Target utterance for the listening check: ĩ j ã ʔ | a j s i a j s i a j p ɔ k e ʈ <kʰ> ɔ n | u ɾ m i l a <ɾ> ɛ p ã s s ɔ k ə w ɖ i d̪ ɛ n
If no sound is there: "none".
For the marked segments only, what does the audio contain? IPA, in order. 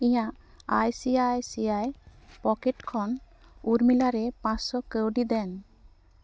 kʰ, ɾ

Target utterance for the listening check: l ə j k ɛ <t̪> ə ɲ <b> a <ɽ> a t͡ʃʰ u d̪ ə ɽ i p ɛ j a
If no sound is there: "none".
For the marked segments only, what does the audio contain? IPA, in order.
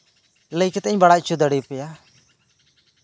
t̪, b, ɽ

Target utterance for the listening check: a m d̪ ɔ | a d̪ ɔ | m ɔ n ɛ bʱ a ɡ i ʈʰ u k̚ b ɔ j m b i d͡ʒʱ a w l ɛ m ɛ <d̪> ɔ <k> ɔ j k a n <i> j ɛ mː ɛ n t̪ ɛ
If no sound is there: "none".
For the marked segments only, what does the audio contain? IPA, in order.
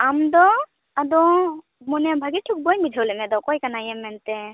d̪, k, a

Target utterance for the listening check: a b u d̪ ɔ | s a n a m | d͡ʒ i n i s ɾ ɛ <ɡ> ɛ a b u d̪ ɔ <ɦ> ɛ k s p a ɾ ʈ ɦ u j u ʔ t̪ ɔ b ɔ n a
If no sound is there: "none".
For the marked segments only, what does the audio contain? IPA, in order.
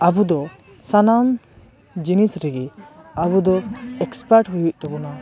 ɡ, none

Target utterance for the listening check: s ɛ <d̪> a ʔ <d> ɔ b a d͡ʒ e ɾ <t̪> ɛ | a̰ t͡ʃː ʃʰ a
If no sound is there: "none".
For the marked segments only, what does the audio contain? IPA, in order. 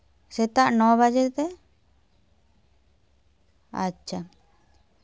t̪, n, t̪

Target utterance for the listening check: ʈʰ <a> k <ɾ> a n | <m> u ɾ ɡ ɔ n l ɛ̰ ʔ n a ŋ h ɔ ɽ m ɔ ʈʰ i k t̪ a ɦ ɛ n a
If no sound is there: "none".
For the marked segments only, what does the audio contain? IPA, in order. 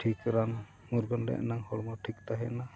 i, ɾ, m

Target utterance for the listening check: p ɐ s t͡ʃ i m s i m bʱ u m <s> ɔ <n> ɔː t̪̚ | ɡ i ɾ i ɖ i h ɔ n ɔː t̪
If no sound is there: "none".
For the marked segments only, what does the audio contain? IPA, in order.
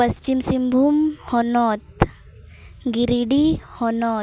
h, n

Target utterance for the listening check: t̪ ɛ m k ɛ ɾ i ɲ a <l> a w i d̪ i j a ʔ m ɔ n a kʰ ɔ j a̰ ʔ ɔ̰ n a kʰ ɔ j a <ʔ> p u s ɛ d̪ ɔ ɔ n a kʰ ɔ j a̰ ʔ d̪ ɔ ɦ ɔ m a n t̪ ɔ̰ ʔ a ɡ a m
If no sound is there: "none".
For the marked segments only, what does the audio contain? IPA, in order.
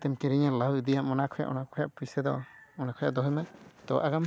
l, ʔ

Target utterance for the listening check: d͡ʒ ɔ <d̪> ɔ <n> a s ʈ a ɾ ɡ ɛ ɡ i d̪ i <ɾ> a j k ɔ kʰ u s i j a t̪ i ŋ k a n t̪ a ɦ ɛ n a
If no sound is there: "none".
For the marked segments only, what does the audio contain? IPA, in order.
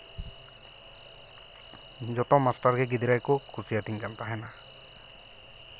t̪, m, ɾ

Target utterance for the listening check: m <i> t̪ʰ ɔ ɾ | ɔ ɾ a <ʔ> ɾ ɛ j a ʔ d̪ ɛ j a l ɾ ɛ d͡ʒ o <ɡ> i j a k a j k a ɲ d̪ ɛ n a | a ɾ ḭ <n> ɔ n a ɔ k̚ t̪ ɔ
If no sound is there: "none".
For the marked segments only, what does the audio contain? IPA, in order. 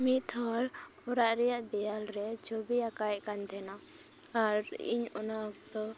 i, ʔ, b, ɲ

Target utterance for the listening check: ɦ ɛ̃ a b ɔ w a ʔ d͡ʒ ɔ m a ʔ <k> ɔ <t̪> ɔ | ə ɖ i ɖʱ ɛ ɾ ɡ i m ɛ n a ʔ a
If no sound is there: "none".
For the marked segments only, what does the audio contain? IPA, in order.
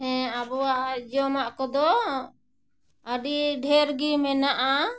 k, d̪

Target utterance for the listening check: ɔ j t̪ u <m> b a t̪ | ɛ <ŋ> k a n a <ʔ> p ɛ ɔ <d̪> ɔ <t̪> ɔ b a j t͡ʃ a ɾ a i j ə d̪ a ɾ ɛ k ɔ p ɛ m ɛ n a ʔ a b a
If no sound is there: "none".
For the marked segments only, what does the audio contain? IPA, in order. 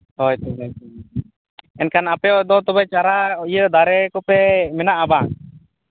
none, n, none, d̪, t̪

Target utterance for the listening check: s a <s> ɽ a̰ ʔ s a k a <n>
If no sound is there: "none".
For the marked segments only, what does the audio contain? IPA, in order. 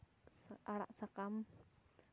none, m

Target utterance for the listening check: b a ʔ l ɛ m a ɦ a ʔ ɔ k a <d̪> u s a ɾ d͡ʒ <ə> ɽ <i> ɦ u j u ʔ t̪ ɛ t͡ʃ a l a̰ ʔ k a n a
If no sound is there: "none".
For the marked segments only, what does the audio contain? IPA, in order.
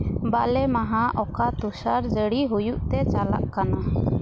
t̪, ə, i

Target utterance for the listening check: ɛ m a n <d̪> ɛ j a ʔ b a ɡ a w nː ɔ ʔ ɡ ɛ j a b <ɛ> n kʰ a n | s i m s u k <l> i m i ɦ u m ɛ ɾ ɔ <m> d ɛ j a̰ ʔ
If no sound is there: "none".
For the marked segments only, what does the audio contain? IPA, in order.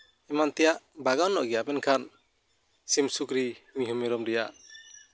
t̪, ɛ, ɾ, m

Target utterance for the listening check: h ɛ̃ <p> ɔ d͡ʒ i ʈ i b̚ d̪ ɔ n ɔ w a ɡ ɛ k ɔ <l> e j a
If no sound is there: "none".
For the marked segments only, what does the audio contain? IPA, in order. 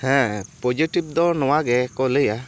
p, l

